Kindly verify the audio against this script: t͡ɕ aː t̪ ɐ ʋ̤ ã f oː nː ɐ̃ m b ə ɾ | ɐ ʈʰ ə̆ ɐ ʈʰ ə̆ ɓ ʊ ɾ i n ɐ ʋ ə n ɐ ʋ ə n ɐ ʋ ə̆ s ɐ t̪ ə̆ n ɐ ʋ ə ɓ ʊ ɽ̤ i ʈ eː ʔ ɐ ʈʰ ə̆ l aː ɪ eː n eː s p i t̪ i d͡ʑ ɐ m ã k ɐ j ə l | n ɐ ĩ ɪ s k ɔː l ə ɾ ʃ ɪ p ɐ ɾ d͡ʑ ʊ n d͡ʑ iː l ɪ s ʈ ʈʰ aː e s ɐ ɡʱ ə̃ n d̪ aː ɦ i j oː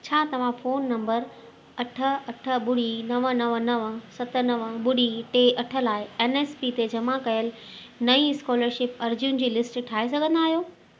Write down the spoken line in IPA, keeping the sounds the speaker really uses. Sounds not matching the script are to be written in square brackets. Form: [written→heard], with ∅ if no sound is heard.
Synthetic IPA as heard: [t͡ɕ→t͡ɕʰ] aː t̪ ɐ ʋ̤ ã f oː nː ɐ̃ m b ə ɾ | ɐ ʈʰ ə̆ ɐ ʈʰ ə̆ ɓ ʊ [ɾ→ɽ] i n ɐ ʋ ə n ɐ ʋ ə n ɐ ʋ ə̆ s ɐ t̪ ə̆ n ɐ ʋ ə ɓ ʊ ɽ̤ i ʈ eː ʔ ɐ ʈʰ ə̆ l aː ɪ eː n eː s p i t̪ [i→e] d͡ʑ ɐ m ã k ɐ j ə l | n ɐ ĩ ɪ s k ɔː l ə ɾ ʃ ɪ p ɐ ɾ d͡ʑ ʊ n d͡ʑ iː l ɪ s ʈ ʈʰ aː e s ɐ ɡʱ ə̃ n d̪ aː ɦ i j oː

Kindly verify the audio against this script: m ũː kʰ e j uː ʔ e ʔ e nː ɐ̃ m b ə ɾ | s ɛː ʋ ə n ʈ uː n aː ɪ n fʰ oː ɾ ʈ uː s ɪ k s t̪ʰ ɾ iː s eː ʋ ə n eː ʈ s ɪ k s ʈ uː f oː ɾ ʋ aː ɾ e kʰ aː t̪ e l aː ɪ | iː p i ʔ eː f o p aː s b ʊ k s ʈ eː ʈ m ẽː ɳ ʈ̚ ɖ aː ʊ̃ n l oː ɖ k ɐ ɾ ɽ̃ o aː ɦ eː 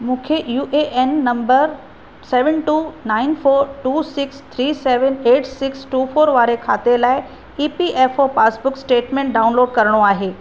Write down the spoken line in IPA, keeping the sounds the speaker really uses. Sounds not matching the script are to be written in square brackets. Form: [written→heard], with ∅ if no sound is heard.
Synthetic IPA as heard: m ũː kʰ e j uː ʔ e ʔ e nː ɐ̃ m b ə ɾ | s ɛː ʋ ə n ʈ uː n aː ɪ n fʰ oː ɾ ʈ uː s ɪ k s t̪ʰ ɾ iː s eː ʋ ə n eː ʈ s ɪ k s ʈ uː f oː ɾ ʋ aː ɾ e kʰ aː t̪ e l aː ɪ | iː p i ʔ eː f o p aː s b ʊ k s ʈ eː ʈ m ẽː ɳ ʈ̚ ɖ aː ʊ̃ n l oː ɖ k ɐ ɾ ɽ̃ o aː ɦ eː

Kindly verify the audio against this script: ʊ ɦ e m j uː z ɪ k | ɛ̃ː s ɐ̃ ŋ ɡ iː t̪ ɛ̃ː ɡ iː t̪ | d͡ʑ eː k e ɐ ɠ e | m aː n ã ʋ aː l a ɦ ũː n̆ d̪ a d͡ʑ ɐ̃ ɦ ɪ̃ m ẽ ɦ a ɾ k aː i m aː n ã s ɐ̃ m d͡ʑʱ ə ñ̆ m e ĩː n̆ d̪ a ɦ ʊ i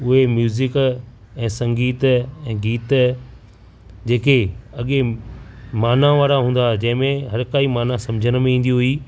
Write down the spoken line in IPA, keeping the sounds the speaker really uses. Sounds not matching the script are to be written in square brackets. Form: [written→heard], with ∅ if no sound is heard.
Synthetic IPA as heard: ʊ ɦ e m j uː z ɪ k | ɛ̃ː s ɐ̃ ŋ ɡ iː t̪ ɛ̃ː ɡ iː t̪ | d͡ʑ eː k e ɐ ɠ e | m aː n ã ʋ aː [l→ɾ] a ɦ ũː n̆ d̪ a d͡ʑ ɐ̃ ɦ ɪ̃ m ẽ ɦ [a→ɐ] ɾ k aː i m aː n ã s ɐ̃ m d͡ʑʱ ə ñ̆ m [e→ẽ] ĩː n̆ d̪ [a→i] ɦ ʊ i

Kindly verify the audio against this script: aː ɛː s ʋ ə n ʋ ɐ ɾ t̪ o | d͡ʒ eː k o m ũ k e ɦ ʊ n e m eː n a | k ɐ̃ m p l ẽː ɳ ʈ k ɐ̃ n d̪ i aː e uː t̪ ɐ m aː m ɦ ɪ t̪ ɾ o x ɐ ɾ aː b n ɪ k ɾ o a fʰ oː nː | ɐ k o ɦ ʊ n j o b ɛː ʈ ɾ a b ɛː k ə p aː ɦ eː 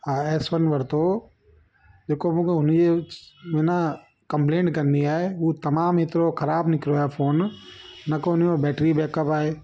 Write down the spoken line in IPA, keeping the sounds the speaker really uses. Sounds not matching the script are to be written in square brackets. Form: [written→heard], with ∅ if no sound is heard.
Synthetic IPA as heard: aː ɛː s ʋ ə n ʋ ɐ ɾ t̪ o | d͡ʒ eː k o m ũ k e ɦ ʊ n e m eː n a | k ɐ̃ m p l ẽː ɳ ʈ k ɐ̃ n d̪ i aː e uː t̪ ɐ m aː m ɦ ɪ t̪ ɾ o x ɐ ɾ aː b n ɪ k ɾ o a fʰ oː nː | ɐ k o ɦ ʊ n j o b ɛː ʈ ɾ [a→i] b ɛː k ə p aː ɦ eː

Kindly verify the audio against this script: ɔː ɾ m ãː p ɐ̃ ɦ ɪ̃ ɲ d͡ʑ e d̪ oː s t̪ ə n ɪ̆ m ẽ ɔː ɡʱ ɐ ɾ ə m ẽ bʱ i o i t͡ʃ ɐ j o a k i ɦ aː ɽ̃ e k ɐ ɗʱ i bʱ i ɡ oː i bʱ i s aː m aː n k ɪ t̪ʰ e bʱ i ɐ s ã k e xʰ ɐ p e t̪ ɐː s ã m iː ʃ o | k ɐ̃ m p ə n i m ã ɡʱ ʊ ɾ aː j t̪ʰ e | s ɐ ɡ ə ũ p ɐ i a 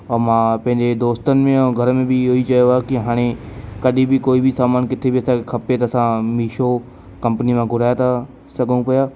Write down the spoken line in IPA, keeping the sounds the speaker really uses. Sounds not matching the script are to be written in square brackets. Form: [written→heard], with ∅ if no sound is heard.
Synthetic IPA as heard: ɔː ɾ m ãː p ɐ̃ ɦ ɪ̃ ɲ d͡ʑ e d̪ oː s t̪ ə n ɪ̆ m ẽ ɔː ɡʱ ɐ ɾ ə m ẽ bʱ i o i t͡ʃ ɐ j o a k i ɦ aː ɽ̃ e k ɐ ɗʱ i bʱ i [ɡ→k] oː i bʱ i s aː m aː n k ɪ t̪ʰ e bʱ i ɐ s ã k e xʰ ɐ p e t̪ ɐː s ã m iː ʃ o | k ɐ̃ m p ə n i m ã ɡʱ ʊ ɾ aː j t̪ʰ [e→a] | s ɐ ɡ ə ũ p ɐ [i→j] a

